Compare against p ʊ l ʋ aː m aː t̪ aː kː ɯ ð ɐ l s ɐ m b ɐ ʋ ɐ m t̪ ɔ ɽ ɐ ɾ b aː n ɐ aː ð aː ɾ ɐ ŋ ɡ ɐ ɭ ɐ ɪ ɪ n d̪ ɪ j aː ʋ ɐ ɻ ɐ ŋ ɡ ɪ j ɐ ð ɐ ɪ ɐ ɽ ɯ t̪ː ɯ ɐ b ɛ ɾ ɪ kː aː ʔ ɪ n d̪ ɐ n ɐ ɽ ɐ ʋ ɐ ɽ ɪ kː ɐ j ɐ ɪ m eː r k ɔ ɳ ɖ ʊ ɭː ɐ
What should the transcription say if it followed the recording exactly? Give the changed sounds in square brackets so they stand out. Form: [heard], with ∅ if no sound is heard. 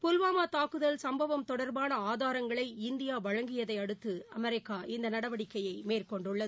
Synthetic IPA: p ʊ l ʋ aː m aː t̪ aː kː ɯ ð ɐ l s ɐ m b ɐ ʋ ɐ m t̪ ɔ ɽ ɐ ɾ b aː n ɐ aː ð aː ɾ ɐ ŋ ɡ ɐ ɭ ɐ ɪ ɪ n d̪ ɪ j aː ʋ ɐ ɻ ɐ ŋ ɡ ɪ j ɐ ð ɐ ɪ ɐ ɽ ɯ t̪ː ɯ ɐ [m] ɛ ɾ ɪ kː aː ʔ ɪ n d̪ ɐ n ɐ ɽ ɐ ʋ ɐ ɽ ɪ kː ɐ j ɐ ɪ m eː r k ɔ ɳ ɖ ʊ ɭː ɐ